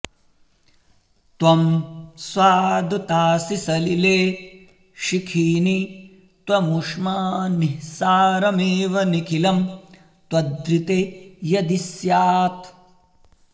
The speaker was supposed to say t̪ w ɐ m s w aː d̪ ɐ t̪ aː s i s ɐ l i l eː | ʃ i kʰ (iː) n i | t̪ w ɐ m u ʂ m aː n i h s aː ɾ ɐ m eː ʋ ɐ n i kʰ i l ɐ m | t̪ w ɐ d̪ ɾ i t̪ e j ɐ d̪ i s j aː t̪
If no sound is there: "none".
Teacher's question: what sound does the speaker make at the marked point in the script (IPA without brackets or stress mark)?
iː